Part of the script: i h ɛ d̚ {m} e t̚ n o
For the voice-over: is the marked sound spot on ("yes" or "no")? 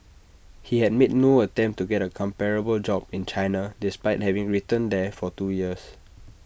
yes